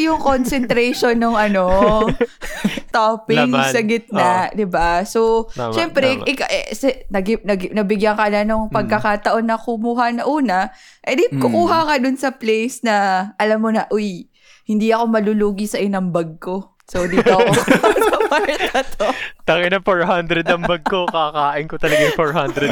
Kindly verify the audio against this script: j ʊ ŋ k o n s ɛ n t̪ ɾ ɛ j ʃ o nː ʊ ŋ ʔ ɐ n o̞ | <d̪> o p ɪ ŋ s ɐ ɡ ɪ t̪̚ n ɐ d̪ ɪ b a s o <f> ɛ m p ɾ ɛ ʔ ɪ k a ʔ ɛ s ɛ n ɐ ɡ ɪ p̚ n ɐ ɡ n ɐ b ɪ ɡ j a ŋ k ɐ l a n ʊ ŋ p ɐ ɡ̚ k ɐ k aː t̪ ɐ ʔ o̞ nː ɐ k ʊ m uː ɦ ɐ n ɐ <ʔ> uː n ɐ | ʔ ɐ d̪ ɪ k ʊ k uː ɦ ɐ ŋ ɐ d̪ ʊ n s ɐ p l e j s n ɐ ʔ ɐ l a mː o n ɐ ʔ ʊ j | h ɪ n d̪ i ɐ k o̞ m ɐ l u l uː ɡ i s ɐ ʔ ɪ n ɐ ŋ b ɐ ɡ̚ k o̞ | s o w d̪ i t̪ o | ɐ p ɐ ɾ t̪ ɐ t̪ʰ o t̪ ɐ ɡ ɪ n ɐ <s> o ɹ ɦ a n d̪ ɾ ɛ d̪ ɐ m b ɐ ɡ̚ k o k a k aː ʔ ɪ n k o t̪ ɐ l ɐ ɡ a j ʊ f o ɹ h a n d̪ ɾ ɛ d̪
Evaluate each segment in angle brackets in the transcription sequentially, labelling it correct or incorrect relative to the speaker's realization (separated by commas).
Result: incorrect, incorrect, correct, incorrect